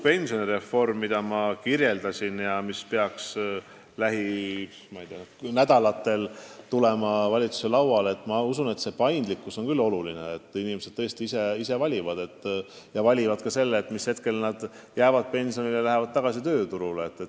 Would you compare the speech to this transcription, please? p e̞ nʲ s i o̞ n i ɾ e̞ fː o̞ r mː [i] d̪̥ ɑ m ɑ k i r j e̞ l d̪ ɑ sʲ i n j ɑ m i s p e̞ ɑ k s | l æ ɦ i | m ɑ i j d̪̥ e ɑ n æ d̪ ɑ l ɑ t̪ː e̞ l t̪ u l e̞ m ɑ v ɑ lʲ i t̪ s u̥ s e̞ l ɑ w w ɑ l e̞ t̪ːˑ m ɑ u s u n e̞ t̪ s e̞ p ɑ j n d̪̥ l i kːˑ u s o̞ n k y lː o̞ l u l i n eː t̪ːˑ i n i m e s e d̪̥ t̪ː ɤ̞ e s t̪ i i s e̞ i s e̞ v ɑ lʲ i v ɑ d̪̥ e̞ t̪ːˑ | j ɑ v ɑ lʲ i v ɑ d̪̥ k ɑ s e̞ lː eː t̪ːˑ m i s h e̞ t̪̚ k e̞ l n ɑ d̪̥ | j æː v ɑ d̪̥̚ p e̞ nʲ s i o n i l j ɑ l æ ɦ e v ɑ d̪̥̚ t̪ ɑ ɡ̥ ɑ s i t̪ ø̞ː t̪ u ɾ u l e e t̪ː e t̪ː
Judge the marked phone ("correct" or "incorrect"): correct